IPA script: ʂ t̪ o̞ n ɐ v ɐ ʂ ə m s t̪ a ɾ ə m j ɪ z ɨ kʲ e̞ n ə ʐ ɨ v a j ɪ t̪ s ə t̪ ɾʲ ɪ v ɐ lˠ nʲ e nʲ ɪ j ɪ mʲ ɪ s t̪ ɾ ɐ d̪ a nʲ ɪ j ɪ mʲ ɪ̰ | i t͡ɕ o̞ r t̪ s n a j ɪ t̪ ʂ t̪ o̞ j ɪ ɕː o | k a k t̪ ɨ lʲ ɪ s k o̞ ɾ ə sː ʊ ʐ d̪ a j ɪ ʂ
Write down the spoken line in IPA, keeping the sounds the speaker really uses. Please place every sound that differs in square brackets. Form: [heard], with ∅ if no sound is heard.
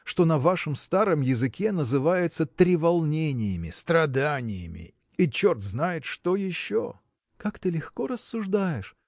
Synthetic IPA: ʂ t̪ o̞ n ɐ v [a] ʂ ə m s t̪ a ɾ ə m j ɪ z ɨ kʲ e̞ n ə [z] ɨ v a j ɪ t̪ s ə t̪ ɾʲ ɪ v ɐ lˠ nʲ e nʲ ɪ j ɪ mʲ ɪ s t̪ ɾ ɐ d̪ a nʲ ɪ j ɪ mʲ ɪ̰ | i t͡ɕ o̞ r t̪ [z] n a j ɪ t̪ ʂ t̪ o̞ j ɪ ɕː o | k a k t̪ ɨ lʲ ɪ [x] k o̞ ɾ ə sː ʊ ʐ d̪ a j ɪ ʂ